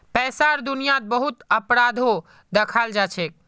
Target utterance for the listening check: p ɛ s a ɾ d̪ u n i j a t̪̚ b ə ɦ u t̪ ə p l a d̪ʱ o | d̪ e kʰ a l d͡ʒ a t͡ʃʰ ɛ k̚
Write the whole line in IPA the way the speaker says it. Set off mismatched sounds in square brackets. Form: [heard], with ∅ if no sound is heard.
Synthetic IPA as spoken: p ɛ s a ɾ d̪ u n i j a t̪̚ b ə ɦ u t̪ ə p [ɾ] a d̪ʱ o | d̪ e kʰ a l d͡ʒ a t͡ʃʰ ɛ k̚